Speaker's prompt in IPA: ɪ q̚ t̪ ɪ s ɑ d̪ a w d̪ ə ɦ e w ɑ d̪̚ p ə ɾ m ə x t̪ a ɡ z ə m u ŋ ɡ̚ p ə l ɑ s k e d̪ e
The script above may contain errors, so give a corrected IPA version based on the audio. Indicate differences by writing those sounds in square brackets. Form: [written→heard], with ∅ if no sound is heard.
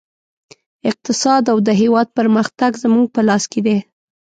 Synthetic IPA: ɪ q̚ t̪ ɪ s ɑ d̪ a w d̪ ə ɦ e w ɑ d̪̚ p ə ɾ m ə x t̪ a ɡ z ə m u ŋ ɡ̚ p ə l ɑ s k e d̪ e